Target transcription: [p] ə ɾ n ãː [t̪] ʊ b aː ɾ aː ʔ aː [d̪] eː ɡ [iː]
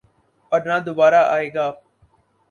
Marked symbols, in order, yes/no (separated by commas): yes, no, no, no